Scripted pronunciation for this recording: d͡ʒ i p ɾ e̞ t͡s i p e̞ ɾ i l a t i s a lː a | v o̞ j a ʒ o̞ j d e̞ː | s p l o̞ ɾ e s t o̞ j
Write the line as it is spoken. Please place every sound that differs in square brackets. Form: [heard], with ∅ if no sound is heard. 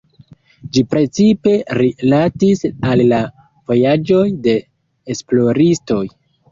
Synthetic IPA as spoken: d͡ʒ i p ɾ e̞ t͡s i p e̞ ɾ i l a t i s a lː a | v o̞ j a [d͡ʒ] o̞ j d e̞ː | s p l o̞ ɾ [i] s t o̞ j